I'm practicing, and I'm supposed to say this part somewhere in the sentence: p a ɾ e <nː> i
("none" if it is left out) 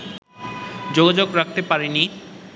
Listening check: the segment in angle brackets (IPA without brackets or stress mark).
n